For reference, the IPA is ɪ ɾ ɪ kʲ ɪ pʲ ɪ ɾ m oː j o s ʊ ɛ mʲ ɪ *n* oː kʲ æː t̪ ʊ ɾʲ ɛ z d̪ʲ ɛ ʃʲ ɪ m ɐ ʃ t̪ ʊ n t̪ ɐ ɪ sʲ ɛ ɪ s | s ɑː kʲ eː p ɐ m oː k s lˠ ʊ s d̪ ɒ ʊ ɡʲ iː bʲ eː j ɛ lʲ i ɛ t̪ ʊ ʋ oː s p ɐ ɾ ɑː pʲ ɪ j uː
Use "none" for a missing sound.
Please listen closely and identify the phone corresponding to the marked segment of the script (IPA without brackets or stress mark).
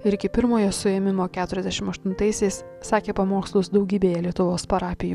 m